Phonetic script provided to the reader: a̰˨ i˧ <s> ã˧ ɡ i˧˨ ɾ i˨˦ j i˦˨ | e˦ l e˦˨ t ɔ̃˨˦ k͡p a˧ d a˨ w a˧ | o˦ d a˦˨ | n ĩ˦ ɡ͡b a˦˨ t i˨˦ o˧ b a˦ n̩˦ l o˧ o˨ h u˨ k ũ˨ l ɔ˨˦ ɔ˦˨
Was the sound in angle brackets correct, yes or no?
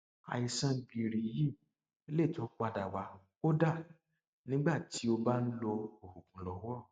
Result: yes